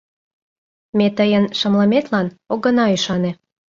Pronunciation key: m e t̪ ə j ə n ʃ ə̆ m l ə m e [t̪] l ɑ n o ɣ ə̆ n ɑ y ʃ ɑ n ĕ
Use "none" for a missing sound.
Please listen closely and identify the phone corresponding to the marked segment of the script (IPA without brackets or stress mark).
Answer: t̪